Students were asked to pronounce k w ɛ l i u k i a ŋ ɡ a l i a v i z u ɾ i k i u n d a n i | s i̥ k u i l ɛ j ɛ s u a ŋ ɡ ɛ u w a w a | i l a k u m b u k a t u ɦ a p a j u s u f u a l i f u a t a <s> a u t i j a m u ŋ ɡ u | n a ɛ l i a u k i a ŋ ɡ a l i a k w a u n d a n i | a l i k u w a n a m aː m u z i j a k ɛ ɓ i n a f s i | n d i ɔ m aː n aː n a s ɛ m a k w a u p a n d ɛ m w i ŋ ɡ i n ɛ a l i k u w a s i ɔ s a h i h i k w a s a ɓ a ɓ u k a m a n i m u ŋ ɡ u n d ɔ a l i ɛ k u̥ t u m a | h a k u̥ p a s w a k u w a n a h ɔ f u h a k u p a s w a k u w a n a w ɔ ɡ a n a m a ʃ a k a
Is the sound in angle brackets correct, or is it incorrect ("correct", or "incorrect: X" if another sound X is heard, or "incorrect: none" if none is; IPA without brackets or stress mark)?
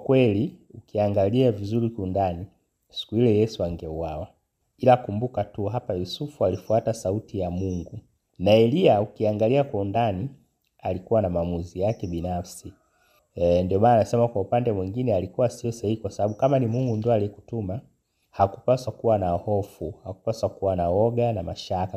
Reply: correct